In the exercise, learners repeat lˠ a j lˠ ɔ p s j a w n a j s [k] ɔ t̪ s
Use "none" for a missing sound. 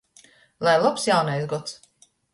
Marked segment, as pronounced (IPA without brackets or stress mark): ɡ